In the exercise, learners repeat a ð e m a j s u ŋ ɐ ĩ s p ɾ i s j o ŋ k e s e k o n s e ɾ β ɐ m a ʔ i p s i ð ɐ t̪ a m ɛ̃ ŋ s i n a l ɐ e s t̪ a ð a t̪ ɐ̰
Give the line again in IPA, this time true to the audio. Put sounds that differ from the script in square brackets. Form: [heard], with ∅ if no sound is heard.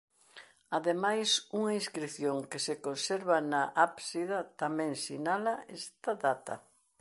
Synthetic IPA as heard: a ð e m a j s u ŋ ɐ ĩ s [k] ɾ i [θ] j o ŋ k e s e k o n s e ɾ β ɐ [n] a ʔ [a] p s i ð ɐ t̪ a m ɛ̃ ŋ s i n a l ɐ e s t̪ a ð a t̪ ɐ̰